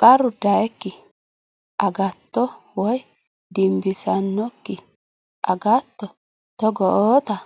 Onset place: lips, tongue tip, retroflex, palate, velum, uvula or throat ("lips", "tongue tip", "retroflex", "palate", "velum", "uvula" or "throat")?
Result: velum